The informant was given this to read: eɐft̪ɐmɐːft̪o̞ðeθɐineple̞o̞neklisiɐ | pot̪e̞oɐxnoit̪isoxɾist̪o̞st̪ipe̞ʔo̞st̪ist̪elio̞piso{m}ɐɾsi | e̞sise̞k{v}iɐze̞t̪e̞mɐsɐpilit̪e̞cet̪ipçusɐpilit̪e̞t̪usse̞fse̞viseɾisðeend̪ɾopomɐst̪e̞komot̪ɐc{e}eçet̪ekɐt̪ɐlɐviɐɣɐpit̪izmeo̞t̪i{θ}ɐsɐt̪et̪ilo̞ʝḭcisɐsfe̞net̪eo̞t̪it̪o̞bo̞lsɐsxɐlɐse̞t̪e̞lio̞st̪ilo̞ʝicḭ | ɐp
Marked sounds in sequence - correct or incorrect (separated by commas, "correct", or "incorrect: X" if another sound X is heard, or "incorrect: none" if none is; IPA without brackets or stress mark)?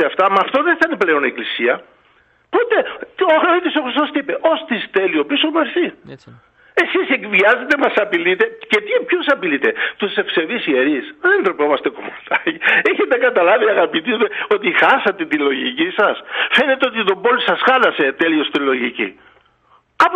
correct, correct, incorrect: i, incorrect: x